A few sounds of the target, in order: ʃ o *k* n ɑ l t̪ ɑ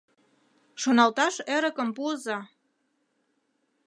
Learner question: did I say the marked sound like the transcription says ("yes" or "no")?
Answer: no